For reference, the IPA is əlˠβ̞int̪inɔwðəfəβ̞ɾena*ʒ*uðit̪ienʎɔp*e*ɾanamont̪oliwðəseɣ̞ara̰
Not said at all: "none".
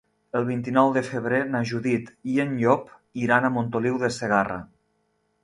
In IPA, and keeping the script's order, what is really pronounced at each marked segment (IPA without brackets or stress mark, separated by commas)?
ʒ, i